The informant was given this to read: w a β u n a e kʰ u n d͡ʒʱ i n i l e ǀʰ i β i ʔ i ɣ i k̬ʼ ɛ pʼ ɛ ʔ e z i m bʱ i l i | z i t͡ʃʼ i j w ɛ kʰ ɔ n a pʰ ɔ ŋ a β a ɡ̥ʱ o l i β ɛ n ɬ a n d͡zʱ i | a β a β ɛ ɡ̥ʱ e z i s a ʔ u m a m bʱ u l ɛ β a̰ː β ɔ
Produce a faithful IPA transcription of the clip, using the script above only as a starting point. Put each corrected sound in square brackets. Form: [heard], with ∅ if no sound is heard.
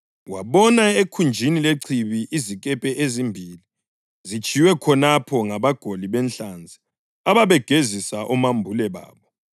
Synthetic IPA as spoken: w a β [ɔ] n a e kʰ u n d͡ʒʱ i n i l e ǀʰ i β i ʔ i [z] i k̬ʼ ɛ pʼ ɛ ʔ e z i m bʱ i l i | z i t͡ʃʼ i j w ɛ kʰ ɔ n a pʰ ɔ ŋ a β a ɡ̥ʱ o l i β ɛ n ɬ a n d͡zʱ i | a β a β ɛ ɡ̥ʱ e z i s a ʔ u m a m bʱ u l ɛ β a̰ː β ɔ